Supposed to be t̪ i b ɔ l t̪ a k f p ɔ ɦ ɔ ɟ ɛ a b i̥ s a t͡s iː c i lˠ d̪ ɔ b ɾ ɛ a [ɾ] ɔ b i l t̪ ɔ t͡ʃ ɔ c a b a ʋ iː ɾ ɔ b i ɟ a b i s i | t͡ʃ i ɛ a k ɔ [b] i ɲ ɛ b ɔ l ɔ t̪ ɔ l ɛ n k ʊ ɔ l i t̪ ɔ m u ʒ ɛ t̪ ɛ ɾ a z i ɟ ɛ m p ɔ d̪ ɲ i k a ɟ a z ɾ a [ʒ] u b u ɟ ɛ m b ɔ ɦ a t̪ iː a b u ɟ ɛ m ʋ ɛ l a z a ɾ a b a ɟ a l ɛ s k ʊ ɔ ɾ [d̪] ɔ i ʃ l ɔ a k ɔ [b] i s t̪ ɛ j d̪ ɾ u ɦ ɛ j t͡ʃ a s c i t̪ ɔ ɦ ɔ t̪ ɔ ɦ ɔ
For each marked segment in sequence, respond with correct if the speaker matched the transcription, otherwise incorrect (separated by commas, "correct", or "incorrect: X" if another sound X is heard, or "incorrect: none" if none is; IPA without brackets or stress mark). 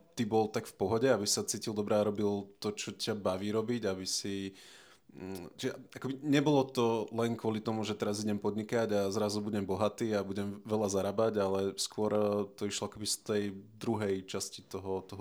correct, correct, incorrect: z, incorrect: t̪, correct